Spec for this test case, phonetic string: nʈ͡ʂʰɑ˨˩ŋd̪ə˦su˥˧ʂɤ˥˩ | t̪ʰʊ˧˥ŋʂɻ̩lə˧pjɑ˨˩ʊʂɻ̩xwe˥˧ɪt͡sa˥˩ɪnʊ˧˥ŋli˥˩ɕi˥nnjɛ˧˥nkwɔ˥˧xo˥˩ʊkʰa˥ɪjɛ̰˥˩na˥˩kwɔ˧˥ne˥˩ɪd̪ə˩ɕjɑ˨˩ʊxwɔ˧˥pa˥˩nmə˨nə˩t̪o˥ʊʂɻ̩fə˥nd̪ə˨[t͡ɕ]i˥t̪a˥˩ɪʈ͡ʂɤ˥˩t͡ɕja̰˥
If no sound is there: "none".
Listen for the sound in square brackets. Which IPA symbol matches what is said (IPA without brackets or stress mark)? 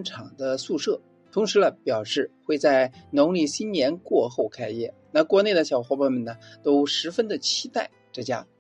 t͡ɕʰ